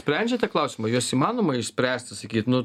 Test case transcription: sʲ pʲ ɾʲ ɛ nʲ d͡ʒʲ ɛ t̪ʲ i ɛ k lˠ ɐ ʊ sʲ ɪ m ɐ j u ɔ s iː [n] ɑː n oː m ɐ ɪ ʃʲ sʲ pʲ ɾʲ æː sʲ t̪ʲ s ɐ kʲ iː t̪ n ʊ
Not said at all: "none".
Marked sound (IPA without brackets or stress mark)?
m